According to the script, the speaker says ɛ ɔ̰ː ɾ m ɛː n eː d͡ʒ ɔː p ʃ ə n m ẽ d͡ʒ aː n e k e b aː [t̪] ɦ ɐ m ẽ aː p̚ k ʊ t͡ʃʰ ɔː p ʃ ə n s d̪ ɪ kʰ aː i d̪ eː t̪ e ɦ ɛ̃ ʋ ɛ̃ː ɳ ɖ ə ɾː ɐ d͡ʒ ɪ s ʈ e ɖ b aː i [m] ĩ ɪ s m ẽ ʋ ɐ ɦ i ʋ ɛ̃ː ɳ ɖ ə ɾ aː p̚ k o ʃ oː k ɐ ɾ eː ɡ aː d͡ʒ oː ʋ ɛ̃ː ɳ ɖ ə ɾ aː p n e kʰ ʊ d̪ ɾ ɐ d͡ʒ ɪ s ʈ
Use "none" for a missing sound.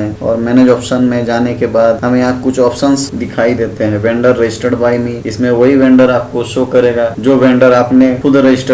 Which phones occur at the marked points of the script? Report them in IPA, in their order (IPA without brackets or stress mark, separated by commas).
d̪, m